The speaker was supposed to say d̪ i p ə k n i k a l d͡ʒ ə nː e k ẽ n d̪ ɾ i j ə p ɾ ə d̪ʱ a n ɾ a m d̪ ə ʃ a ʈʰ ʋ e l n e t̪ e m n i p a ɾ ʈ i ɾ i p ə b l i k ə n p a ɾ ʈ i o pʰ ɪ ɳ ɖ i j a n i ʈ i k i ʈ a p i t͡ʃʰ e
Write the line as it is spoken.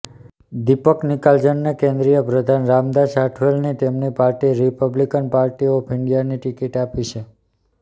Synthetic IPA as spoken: d̪ i p ə k n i k a l d͡ʒ ə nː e k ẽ n d̪ ɾ i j ə p ɾ ə d̪ʱ a n ɾ a m d̪ a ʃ a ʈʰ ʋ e l n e t̪ e m n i p a ɾ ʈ i ɾ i p ə b l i k ə n p a ɾ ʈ i o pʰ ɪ ɳ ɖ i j a n i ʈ i k i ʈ a p i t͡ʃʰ e